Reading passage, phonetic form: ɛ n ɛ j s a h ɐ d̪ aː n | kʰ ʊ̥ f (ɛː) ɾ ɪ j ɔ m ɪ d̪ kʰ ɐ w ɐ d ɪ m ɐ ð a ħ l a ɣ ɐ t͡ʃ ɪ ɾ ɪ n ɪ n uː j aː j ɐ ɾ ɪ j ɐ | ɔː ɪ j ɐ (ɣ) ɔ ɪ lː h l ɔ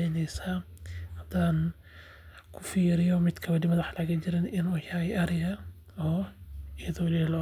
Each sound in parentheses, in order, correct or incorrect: incorrect: iː, incorrect: ð

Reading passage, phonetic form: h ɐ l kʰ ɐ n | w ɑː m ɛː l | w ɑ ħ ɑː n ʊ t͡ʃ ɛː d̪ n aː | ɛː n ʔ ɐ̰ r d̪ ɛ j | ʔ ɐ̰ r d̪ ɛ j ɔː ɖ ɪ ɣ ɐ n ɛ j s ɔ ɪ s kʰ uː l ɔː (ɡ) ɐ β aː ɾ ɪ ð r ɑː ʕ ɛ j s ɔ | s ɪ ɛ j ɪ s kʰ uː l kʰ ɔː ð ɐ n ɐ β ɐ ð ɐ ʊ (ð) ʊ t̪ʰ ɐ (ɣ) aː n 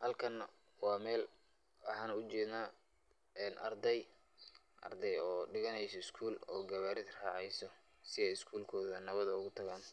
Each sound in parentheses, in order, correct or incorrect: correct, incorrect: ɣ, correct

